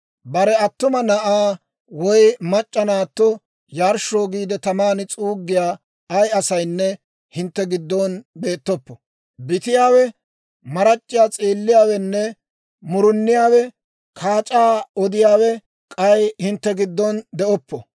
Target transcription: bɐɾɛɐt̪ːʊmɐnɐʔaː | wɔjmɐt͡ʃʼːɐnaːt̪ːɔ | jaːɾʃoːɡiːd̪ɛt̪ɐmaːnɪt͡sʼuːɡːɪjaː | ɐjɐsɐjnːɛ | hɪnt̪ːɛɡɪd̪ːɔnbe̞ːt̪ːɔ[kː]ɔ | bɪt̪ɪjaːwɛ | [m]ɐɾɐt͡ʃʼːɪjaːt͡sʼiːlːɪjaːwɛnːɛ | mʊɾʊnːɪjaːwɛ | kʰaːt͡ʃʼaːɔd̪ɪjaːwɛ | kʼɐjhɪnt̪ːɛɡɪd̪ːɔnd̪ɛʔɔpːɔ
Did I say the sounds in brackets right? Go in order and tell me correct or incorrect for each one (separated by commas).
incorrect, correct